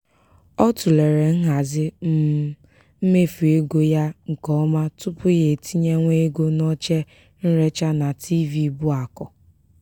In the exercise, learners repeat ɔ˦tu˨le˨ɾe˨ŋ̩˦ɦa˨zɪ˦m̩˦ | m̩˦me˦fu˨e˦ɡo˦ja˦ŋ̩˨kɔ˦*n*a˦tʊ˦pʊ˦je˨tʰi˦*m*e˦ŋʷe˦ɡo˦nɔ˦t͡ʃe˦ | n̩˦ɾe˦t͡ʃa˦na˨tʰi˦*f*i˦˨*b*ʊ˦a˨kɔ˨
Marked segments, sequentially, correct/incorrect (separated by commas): incorrect, incorrect, incorrect, correct